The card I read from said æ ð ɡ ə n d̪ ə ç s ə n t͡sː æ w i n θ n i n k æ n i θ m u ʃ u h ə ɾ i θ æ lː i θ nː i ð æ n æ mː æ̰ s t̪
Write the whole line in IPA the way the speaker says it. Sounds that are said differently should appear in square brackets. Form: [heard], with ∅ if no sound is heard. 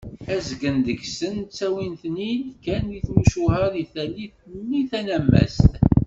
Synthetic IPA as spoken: æ [z] ɡ ə n d̪ ə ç s ə n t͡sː æ w i n θ n i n k æ n i θ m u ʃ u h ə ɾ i θ æ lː i θ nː i [θ] æ n æ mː æ̰ s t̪